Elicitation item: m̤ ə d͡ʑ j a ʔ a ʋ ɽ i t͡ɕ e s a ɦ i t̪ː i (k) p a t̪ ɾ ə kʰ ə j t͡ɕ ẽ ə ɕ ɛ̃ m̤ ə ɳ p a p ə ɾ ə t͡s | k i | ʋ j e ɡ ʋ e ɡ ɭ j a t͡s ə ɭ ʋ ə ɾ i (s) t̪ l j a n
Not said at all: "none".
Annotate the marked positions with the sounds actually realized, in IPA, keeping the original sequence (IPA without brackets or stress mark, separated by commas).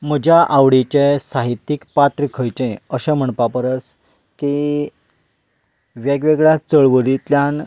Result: k, none